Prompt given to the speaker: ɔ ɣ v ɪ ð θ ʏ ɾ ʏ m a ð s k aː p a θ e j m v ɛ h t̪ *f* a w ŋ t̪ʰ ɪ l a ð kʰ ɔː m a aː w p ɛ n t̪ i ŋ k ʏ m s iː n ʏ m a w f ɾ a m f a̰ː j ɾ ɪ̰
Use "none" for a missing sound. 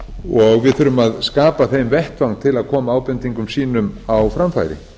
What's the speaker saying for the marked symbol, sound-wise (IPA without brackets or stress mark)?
v